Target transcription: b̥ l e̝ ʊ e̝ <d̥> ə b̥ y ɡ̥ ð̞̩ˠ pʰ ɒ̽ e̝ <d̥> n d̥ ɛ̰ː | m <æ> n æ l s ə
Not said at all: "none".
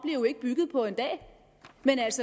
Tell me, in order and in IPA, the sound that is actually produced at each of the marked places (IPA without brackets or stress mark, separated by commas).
ɡ̥, none, e